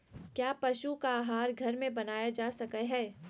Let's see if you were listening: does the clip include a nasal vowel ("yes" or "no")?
yes